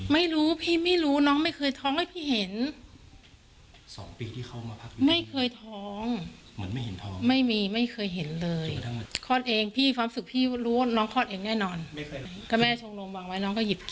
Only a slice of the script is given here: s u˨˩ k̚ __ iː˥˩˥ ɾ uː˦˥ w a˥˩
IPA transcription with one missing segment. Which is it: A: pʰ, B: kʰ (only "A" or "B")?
A